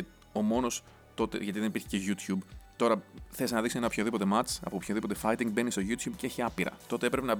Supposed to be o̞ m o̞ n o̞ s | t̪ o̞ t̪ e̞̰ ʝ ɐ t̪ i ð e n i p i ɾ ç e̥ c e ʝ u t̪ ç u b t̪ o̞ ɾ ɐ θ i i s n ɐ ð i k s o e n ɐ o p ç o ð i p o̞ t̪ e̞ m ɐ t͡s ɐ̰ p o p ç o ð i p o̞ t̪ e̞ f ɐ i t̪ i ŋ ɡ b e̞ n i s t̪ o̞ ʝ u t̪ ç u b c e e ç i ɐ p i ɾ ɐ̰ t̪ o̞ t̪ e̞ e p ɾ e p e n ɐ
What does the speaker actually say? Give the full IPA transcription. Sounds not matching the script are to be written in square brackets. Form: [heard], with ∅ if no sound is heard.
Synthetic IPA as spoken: o̞ m o̞ n o̞ s | t̪ o̞ t̪ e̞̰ ʝ ɐ t̪ i ð e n i p i ɾ ç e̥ c e ʝ u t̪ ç u b t̪ o̞ ɾ ɐ θ [e] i s n ɐ ð i k s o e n ɐ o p ç o ð i p o̞ t̪ e̞ m ɐ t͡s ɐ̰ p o p ç o ð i p o̞ t̪ e̞ f ɐ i t̪ i ŋ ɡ b e̞ n i s t̪ o̞ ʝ u t̪ ç u b c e e ç i ɐ p i ɾ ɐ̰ t̪ o̞ t̪ e̞ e p ɾ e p e n ɐ